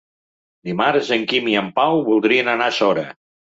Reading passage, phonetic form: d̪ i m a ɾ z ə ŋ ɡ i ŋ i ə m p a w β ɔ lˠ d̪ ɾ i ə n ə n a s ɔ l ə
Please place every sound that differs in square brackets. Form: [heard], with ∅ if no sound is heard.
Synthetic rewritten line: d̪ i m a ɾ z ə ŋ [k] i [m] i ə m p a w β [u] lˠ d̪ ɾ i ə n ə n a s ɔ [ɾ] ə